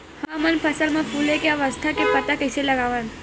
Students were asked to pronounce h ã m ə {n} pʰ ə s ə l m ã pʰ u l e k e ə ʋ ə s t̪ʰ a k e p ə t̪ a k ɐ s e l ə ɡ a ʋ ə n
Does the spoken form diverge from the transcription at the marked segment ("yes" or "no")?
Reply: no